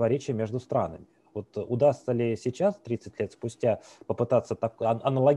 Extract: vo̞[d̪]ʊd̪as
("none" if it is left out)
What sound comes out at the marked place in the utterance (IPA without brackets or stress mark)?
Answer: t̪